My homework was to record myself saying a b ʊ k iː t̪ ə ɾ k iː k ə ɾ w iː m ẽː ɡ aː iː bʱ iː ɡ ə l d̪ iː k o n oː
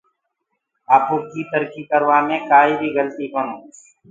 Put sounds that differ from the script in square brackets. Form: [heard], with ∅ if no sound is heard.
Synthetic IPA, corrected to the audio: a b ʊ k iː t̪ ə ɾ k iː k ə ɾ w [aː] m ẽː [k] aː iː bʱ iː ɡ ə l [t̪] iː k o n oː